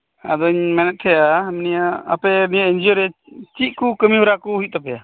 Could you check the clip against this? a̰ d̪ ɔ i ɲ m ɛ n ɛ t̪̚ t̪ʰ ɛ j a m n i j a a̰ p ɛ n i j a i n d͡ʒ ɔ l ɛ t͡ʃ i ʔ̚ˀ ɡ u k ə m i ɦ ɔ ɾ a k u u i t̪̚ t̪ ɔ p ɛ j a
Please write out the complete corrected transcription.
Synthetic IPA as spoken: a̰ d̪ ɔ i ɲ m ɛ n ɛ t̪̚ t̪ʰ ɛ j a m n i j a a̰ p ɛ n i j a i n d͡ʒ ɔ ɾ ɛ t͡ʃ i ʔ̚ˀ k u k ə m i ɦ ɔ ɾ a k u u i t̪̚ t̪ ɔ p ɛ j a